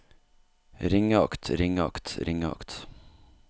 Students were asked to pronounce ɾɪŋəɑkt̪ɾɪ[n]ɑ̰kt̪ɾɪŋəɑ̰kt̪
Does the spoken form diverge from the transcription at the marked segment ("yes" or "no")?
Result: yes